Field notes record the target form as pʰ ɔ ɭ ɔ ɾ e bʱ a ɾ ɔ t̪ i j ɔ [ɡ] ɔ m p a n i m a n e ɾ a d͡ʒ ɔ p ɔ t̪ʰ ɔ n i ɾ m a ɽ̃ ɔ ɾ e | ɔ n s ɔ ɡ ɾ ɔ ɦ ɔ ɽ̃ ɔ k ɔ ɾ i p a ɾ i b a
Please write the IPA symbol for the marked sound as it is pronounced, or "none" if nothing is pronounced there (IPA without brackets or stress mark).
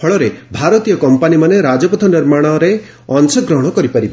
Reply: k